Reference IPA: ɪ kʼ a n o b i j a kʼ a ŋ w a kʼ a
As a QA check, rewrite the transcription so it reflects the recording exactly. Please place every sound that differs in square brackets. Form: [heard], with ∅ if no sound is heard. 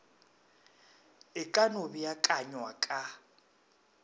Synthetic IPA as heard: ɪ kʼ a n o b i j a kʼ a [ɲ] w a kʼ a

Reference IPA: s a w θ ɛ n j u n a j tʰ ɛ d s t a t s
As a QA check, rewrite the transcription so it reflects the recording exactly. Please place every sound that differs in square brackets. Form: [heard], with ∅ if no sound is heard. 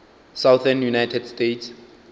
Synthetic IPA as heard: s a w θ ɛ n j u n a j tʰ ɛ d s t [e] t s

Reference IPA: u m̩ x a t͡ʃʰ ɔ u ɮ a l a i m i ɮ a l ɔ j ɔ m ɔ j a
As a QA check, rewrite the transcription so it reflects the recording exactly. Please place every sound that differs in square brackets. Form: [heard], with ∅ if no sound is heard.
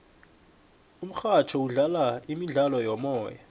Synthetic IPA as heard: u m̩ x a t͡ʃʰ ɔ u ɮ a l a i m i ɮ a l ɔ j ɔ m [ɔː] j a

